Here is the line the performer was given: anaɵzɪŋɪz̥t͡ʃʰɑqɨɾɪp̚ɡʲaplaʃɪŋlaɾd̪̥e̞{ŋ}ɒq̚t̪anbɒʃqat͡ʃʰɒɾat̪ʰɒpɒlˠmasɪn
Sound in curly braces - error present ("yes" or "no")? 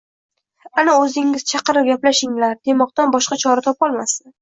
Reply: yes